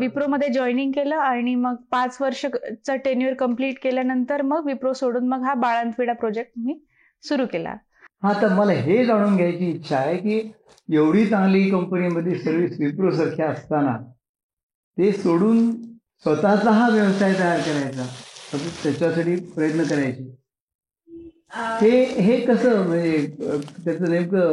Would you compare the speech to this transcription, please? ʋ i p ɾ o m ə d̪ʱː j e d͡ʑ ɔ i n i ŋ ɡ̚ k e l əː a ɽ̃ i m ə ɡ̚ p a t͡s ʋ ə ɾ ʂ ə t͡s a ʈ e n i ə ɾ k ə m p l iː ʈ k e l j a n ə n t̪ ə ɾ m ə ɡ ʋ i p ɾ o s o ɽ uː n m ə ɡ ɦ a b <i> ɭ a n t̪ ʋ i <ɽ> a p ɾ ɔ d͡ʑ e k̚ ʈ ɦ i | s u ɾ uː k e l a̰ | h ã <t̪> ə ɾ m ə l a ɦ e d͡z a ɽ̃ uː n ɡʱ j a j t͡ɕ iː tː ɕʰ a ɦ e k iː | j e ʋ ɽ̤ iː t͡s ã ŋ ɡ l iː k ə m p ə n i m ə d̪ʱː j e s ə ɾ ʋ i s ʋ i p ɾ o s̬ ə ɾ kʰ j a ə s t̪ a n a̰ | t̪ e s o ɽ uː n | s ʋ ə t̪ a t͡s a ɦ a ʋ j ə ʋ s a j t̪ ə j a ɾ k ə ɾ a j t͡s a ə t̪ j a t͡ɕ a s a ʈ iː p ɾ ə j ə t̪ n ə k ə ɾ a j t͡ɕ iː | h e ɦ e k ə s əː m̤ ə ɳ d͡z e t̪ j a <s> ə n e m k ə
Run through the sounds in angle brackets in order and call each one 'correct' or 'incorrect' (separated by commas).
incorrect, correct, correct, incorrect